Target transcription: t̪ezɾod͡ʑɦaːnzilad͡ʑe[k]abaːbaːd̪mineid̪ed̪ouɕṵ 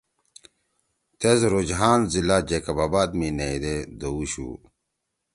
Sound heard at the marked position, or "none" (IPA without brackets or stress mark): k